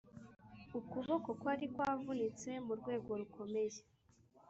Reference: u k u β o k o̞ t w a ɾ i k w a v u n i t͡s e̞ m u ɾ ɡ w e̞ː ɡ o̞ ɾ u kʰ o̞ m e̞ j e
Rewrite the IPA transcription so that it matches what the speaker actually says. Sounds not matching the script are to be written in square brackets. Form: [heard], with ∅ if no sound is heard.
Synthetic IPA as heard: u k u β o k o̞ [k] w a ɾ i k w a v u n i t͡s e̞ m u ɾ ɡ w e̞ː ɡ o̞ ɾ u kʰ o̞ m e̞ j e